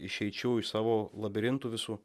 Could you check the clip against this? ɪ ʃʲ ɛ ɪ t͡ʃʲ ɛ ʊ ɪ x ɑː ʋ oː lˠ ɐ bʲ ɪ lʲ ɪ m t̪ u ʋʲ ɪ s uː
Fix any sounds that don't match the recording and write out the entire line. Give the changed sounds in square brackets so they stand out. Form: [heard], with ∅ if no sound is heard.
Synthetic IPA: ɪ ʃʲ ɛ ɪ t͡ʃʲ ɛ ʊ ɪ [s] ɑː ʋ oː lˠ ɐ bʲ ɪ [ɾʲ] ɪ [n] t̪ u ʋʲ ɪ s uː